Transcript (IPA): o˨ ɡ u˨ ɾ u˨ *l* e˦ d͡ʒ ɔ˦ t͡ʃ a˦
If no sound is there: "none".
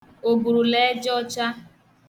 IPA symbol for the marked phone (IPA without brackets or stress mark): l